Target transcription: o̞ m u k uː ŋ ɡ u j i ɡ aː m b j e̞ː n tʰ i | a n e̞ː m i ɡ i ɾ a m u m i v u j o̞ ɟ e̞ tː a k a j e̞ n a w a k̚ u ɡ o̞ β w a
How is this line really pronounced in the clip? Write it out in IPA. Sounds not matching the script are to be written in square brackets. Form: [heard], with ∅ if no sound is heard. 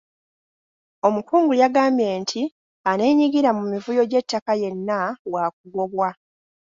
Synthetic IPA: o̞ m u k uː ŋ ɡ u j [a] ɡ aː m b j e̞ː n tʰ i | a n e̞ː [ɲ] i ɡ i ɾ a m u m i v u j o̞ ɟ e̞ tː a k a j e̞ [nː] a w a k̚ u ɡ o̞ β w a